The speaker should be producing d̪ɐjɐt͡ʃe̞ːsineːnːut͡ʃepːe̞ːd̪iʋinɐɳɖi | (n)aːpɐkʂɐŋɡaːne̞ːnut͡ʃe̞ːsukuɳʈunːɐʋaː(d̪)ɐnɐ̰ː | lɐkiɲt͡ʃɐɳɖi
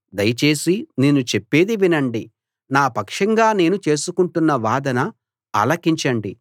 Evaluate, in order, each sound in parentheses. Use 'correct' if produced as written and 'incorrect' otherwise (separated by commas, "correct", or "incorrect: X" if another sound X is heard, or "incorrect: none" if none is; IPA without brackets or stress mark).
correct, correct